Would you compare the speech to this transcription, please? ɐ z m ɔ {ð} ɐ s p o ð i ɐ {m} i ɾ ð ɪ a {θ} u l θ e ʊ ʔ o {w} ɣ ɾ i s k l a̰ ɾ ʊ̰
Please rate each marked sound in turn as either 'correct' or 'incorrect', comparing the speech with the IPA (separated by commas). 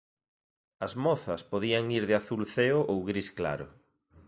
incorrect, incorrect, correct, correct